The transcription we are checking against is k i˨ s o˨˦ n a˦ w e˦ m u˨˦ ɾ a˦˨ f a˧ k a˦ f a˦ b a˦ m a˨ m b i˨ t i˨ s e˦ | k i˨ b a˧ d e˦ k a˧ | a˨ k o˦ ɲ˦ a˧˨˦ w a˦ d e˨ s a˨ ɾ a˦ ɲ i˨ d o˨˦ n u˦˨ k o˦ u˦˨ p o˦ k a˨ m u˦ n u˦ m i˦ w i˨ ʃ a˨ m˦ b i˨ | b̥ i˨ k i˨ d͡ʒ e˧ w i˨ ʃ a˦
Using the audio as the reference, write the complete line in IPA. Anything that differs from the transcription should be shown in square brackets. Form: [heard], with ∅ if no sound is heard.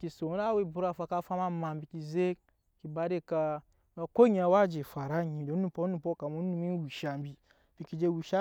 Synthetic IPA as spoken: k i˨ s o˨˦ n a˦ w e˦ [b] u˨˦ ɾ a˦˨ f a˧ k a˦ f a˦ [m] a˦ m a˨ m b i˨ [k] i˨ [z] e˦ | k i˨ b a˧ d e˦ k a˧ | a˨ k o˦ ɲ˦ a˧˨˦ w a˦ [d͡ʒ] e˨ [f] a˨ ɾ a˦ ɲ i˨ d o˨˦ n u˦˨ [p] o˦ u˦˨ p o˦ k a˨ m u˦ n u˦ m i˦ w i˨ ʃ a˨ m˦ b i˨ | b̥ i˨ k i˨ d͡ʒ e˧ w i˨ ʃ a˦

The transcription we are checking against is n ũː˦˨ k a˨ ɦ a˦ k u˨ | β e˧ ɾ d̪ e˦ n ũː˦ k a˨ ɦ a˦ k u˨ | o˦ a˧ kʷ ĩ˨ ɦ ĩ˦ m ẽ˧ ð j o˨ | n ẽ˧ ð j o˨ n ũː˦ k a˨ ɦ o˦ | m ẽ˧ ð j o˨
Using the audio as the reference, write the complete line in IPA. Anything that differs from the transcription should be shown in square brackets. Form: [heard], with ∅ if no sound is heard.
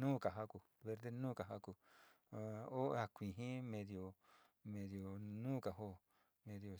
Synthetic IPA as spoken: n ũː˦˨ k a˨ ɦ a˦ k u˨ | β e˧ ɾ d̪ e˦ n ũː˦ k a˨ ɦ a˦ k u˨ | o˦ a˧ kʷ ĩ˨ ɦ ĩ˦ m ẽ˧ ð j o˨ | [m] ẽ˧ ð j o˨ n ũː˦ k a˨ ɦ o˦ | m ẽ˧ ð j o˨

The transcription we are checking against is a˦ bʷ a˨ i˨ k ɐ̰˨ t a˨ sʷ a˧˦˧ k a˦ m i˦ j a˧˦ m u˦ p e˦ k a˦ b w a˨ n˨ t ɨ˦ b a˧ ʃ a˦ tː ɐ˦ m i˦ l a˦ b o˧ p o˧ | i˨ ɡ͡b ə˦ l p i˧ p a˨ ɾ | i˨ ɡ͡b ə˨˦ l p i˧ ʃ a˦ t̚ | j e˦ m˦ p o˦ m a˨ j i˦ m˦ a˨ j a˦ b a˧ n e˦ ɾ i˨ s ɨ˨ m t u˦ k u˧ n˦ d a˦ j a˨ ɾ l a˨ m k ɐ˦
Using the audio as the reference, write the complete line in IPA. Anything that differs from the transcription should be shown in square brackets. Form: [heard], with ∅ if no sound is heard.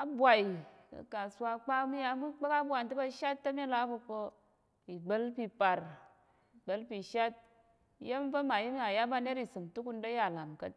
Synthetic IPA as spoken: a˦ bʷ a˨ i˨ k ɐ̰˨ [k] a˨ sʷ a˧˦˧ [k͡p] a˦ m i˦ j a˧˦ m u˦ [k͡p] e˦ k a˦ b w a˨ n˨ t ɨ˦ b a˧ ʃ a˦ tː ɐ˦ m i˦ l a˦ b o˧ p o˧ | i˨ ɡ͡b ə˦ l p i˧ p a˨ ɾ | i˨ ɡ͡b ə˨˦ l p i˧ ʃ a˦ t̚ | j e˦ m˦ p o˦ m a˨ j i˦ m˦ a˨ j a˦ b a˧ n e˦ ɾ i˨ s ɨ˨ m t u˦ k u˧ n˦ d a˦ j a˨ [∅] l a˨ m k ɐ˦

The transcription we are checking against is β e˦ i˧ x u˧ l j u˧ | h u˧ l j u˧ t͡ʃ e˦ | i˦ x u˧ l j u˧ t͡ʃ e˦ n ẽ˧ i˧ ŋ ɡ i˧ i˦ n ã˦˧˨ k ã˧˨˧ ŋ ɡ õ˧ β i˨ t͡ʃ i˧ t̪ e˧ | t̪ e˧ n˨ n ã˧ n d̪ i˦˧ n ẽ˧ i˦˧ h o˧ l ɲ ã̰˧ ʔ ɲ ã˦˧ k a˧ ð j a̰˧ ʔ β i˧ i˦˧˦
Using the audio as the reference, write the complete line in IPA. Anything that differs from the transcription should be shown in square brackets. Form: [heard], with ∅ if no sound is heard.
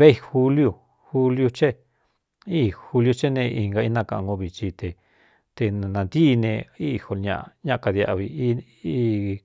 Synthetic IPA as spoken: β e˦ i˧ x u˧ l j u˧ | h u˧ l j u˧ t͡ʃ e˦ | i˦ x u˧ l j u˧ t͡ʃ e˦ n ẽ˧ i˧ ŋ ɡ [a˧] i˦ n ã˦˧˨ k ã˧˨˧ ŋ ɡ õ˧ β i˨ t͡ʃ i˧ t̪ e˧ | t̪ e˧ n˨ n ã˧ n d̪ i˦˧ n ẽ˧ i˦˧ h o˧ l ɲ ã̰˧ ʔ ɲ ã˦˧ k a˧ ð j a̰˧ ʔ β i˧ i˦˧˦

